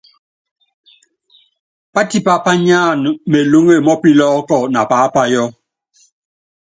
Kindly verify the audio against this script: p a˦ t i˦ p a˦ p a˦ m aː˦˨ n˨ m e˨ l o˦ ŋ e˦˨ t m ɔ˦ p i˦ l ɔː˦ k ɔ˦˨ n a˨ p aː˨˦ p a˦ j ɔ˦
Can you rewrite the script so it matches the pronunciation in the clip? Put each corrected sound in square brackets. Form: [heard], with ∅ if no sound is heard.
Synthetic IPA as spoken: p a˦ t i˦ p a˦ p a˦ [ɲ] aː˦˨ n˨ m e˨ l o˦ ŋ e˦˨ [∅] m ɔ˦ p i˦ l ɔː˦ k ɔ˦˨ n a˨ p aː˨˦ p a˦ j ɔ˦